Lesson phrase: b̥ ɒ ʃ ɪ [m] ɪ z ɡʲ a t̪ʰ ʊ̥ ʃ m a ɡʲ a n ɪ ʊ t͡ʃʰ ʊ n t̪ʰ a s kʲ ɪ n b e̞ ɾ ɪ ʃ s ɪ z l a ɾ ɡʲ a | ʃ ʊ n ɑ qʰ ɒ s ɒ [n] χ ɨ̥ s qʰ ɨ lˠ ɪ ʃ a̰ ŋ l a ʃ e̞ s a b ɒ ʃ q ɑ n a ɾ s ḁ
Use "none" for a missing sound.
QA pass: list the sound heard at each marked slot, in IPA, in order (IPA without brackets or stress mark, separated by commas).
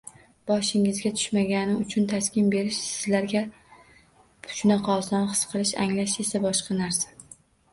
ŋ, n